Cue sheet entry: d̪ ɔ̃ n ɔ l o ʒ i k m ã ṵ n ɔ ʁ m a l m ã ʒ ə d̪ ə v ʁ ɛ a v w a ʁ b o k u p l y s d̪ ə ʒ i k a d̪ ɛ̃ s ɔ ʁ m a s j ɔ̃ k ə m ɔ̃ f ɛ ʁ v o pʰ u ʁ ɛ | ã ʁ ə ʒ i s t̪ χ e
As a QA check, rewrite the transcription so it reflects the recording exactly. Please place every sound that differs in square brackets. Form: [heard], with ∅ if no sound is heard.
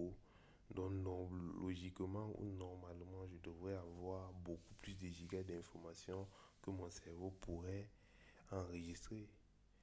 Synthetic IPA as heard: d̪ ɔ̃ n ɔ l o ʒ i k m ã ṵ n ɔ ʁ m a l m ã ʒ ə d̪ ə v ʁ ɛ a v w a ʁ b o k u p l y s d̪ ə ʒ i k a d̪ ɛ̃ [f] ɔ ʁ m a s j ɔ̃ k ə m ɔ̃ [s] ɛ ʁ v o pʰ u ʁ ɛ | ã ʁ ə ʒ i s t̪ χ e